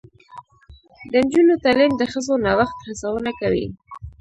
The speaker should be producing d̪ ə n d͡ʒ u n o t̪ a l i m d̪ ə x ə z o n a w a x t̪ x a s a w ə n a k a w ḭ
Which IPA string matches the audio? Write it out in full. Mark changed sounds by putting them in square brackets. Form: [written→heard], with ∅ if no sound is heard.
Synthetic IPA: d̪ ə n d͡ʒ u n o t̪ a l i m d̪ ə x ə z o n a w a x t̪ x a s a w ə n a k a w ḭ